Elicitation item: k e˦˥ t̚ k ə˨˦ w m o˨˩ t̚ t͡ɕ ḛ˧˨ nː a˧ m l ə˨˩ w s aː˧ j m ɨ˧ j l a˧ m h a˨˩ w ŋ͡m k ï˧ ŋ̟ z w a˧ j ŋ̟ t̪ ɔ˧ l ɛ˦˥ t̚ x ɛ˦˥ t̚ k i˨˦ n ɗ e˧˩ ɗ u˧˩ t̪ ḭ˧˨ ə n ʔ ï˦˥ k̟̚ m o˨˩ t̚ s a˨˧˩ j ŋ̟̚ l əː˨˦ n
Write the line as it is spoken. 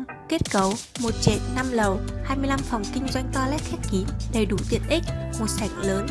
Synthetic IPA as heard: k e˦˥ t̚ k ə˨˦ w m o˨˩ t̚ t͡ɕ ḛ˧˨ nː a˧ m l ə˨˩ w h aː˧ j m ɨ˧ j l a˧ m f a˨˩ w ŋ͡m k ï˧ ŋ̟ z w a˧ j ŋ̟ t̪ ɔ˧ l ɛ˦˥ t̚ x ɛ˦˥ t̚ k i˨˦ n ɗ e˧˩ ɗ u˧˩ t̪ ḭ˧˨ ə n ʔ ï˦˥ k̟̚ m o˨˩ t̚ s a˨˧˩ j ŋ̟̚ l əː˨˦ n